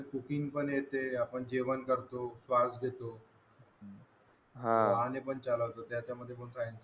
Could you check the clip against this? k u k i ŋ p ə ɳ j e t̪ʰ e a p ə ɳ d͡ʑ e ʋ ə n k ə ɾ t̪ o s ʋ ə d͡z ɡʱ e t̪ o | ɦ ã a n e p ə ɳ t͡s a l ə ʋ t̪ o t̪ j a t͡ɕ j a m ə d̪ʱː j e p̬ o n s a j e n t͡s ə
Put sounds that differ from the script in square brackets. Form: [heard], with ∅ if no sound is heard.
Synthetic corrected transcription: k u k i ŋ p ə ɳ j e [t̪] e a p ə ɳ d͡ʑ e ʋ ə n k ə ɾ t̪ o s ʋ [a] d͡z ɡʱ e t̪ o | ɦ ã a n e p ə ɳ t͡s a l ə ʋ t̪ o t̪ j a t͡ɕ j a m ə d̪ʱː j e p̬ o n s a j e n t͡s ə